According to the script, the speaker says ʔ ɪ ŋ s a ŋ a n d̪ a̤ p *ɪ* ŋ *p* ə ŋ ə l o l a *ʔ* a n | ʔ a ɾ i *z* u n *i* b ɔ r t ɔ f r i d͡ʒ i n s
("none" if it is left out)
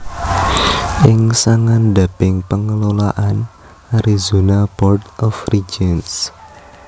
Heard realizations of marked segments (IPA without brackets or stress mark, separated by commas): ɪ, p, ʔ, z, a